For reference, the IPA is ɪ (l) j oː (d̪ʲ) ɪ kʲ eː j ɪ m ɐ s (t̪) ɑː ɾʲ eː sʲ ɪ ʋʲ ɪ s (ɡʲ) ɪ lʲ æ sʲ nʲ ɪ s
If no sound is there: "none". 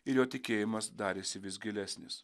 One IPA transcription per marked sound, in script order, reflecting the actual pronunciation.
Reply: ɾ, t̪ʲ, d̪, ɡʲ

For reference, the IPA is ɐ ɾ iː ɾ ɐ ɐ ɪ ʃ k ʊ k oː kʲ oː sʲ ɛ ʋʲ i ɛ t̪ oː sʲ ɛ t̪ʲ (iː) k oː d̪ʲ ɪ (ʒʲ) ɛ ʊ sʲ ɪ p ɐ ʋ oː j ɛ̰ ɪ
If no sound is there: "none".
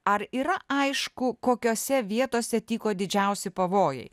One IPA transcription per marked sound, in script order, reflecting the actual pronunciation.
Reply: iː, d͡ʒʲ

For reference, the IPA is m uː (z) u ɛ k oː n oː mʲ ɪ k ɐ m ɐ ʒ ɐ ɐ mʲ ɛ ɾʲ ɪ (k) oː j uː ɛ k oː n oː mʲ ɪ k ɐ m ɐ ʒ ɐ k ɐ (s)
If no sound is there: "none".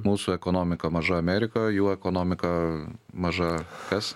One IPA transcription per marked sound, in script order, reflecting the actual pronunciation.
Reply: s, k, s

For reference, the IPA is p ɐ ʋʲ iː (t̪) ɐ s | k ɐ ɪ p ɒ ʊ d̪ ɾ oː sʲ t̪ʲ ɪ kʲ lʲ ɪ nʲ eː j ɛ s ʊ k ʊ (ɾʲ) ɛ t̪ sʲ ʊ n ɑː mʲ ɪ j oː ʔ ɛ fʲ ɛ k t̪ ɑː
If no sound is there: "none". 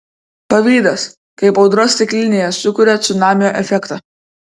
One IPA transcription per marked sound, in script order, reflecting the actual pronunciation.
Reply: d̪, ɾʲ

